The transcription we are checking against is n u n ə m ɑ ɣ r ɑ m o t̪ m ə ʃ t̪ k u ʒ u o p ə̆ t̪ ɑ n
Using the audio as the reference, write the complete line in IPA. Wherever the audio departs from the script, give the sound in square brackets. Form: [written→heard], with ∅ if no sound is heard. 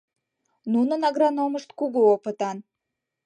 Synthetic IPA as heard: n u n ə [m→n] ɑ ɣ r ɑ [m→n] o [t̪→∅] m ə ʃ t̪ k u [ʒ→ɣ] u o p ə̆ t̪ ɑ n

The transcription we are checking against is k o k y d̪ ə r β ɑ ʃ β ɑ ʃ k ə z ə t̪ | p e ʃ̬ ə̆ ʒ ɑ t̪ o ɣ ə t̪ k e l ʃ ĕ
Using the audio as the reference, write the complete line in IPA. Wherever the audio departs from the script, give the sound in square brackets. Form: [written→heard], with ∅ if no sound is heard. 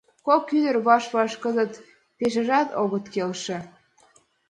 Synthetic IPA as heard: k o k y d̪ ə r β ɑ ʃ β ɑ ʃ k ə z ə t̪ | p e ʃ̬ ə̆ ʒ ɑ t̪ o ɣ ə t̪ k e l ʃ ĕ

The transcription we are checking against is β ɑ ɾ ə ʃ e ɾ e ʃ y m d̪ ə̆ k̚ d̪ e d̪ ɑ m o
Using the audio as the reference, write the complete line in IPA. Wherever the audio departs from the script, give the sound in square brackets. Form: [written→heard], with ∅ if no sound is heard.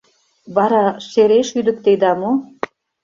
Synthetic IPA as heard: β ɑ ɾ [ə→ɑ] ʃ e ɾ e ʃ y [m→∅] d̪ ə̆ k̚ [d̪→t̪] e d̪ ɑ m o

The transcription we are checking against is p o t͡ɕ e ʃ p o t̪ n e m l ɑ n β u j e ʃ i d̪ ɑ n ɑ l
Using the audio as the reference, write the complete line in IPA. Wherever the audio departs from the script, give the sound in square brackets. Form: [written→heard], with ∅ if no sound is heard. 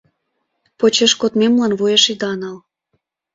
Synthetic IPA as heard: p o t͡ɕ e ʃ [p→k] o t̪ [n→m] e m l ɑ n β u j e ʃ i d̪ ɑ n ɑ l

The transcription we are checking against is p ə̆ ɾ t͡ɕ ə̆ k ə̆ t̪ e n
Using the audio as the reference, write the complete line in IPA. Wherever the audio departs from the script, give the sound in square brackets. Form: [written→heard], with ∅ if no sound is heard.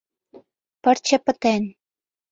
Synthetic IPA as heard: p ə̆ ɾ t͡ɕ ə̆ [k→p] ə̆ t̪ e n

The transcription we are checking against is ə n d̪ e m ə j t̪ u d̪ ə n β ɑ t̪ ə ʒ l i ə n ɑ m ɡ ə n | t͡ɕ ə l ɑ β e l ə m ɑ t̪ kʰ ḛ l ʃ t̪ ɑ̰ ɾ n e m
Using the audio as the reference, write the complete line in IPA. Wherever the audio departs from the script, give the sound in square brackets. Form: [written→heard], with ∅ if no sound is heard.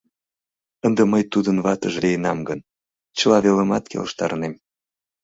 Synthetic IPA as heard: ə n d̪ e m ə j t̪ u d̪ ə n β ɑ t̪ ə ʒ l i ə n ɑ m ɡ ə n | t͡ɕ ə l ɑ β e l ə m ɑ t̪ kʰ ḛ l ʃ t̪ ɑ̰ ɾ n e m

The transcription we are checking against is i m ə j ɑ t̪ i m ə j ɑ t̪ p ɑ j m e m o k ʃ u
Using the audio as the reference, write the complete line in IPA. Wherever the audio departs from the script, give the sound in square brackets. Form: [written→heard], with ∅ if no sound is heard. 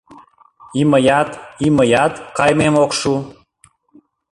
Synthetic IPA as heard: i m ə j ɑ t̪ i m ə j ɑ t̪ [p→k] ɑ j m e m o k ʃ u

